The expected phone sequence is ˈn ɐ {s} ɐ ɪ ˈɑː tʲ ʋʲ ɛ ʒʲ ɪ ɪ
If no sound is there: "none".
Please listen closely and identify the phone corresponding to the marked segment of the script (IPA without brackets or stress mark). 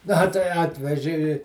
t